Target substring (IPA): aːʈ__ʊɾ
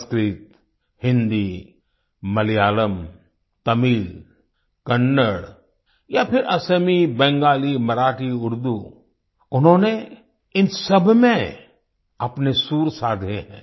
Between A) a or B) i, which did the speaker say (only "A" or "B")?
B